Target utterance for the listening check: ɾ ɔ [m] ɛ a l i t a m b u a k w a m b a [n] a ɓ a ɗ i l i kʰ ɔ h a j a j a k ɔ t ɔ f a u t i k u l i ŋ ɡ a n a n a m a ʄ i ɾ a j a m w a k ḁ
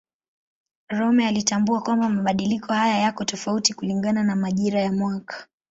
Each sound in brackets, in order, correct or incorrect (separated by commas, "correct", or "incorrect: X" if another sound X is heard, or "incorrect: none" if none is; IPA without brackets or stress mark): correct, incorrect: m